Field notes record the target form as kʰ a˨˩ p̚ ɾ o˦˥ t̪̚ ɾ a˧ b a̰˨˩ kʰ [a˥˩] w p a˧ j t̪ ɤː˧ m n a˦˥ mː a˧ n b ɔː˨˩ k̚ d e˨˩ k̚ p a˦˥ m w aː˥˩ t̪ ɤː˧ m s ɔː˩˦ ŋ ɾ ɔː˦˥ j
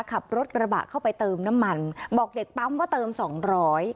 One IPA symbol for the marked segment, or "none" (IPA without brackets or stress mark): a˥˩